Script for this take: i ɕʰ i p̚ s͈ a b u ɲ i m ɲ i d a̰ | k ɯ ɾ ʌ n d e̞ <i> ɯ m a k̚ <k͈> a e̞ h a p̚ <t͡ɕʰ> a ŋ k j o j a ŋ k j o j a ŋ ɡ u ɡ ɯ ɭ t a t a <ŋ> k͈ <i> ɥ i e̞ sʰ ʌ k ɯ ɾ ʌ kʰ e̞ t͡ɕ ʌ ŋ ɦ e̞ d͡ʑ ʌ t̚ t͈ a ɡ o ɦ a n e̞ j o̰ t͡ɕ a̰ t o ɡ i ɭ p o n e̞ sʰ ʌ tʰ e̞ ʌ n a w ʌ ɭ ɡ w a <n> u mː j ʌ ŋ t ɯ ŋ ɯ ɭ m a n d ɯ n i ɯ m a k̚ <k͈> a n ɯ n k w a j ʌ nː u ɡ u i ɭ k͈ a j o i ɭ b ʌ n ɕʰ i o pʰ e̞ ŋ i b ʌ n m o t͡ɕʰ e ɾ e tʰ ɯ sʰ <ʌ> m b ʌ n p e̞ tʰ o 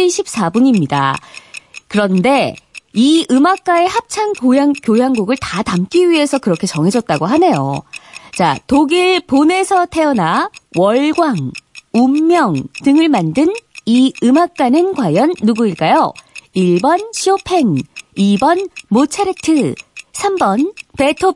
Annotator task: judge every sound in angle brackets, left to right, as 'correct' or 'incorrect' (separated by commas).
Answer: correct, correct, correct, incorrect, correct, incorrect, correct, incorrect